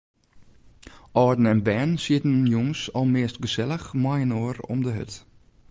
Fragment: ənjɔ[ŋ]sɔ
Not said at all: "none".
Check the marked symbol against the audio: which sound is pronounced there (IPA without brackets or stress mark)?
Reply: ŋ